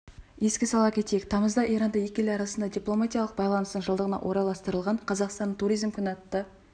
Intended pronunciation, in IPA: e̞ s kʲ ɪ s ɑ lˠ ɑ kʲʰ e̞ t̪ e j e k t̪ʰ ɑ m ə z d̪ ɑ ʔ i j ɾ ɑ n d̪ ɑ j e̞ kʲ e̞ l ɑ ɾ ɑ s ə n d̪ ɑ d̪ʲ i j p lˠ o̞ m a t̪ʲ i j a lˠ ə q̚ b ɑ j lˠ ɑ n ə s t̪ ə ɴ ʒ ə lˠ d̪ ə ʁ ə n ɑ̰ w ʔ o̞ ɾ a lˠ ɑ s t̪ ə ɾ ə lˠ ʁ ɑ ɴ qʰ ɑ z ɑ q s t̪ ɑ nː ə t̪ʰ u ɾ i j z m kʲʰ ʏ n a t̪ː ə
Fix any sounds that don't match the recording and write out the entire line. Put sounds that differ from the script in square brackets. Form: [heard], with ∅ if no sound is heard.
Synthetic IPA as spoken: e̞ s kʲ ɪ s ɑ lˠ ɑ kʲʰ e̞ t̪ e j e k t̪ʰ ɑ m ə z d̪ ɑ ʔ i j ɾ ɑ n d̪ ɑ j e̞ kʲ e̞ l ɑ ɾ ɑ s ə n d̪ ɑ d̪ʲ i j p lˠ o̞ m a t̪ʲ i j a lˠ ə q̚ b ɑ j lˠ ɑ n ə s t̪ ə ɴ ʒ ə lˠ d̪ ə ʁ ə n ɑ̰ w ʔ o̞ ɾ [ɑ] lˠ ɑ s t̪ ə ɾ ə lˠ ʁ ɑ ɴ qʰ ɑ z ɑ q s t̪ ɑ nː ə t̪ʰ u ɾ i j z m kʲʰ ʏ n [ɑ] t̪ː ə